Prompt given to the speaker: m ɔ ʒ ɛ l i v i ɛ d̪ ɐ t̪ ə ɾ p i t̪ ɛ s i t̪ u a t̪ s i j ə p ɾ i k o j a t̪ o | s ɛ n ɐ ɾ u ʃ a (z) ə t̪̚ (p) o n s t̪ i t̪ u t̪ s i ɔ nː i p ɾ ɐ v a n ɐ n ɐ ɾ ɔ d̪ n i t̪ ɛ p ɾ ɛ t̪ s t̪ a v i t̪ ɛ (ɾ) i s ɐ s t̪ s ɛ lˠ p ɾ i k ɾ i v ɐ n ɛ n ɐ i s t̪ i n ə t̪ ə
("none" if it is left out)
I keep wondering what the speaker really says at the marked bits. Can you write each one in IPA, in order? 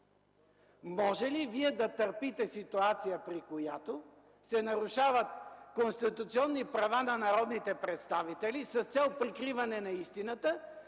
v, k, l

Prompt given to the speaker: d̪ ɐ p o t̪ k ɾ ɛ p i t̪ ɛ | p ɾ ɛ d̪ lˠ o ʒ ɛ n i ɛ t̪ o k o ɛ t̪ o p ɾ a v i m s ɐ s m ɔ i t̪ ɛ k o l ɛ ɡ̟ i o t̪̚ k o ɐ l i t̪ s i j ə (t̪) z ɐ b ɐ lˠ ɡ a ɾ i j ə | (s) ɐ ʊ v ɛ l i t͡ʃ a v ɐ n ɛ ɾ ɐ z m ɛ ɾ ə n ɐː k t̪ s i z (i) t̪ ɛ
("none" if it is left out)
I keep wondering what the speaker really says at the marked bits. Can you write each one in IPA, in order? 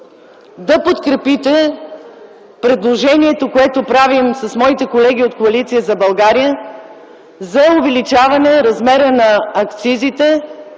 none, z, i

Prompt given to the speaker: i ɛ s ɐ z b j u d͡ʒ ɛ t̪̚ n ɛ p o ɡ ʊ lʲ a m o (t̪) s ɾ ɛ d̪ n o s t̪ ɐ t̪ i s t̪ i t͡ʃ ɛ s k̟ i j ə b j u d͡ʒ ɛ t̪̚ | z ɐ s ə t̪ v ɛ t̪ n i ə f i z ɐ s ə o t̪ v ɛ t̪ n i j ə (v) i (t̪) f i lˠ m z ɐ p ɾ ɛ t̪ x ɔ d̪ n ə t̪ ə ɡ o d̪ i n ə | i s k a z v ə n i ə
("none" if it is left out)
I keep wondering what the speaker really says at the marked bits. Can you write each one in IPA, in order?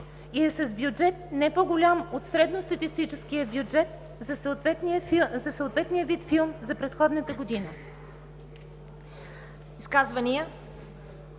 t̪, v, t̪

